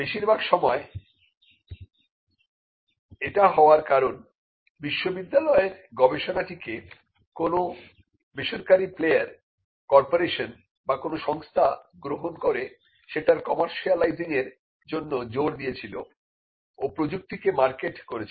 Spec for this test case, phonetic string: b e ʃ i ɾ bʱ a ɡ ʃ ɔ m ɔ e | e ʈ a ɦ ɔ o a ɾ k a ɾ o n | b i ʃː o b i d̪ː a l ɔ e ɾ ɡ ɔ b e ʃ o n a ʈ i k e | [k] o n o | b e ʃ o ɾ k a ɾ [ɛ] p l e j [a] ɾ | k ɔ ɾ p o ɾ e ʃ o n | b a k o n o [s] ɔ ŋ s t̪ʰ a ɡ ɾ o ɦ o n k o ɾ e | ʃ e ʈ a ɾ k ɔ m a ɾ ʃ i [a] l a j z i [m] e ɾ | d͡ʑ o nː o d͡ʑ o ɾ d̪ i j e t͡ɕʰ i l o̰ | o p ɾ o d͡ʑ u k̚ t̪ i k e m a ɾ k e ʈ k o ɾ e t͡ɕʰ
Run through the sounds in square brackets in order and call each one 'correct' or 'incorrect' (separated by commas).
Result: correct, incorrect, correct, incorrect, correct, incorrect